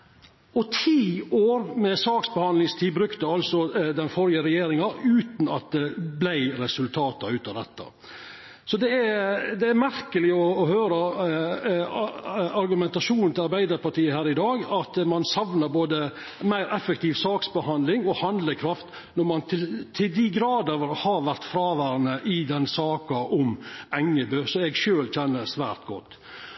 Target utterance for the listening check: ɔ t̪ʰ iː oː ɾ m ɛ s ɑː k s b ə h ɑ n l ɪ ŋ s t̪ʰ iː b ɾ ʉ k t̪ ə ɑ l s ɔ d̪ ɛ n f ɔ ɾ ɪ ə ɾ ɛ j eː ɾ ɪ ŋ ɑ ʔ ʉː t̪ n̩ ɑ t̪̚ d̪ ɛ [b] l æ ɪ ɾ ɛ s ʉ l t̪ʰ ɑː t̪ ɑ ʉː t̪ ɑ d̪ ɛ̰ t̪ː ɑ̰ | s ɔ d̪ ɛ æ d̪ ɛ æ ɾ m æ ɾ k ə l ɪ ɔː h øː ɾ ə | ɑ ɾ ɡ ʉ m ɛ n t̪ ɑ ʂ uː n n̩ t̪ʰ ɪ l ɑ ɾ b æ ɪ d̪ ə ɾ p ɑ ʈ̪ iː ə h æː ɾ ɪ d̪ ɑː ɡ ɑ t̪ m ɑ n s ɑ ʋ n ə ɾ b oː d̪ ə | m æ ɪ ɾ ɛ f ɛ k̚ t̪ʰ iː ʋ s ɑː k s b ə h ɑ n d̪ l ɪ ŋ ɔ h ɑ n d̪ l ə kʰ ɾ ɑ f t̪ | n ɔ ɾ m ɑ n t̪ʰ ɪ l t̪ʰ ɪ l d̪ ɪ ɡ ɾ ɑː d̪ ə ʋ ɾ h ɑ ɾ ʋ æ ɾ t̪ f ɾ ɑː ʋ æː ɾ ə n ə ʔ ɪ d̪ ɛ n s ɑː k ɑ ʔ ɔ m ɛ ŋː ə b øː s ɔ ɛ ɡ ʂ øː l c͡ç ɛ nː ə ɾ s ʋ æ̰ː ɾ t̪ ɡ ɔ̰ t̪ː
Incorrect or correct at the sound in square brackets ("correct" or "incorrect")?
correct